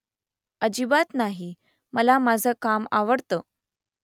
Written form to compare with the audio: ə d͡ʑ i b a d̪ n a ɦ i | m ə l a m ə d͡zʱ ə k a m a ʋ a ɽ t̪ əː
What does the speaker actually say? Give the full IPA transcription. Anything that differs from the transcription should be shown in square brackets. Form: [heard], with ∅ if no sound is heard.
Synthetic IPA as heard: ə d͡ʑ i b a [t̪] n a ɦ i | m ə l a m [a] d͡zʱ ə k a m a ʋ [ə] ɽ t̪ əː